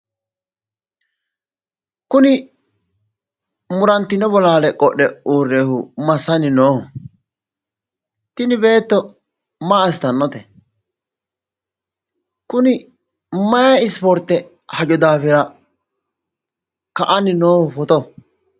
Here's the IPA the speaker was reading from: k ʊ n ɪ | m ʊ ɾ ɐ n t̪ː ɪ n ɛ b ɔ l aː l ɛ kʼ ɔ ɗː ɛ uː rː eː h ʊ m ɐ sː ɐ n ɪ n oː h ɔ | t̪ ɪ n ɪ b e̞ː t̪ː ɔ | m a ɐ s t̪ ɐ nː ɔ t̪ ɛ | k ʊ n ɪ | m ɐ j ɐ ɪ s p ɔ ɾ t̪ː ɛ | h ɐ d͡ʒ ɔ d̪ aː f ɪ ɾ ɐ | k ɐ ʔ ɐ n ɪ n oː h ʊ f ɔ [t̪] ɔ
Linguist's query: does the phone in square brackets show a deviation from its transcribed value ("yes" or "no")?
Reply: no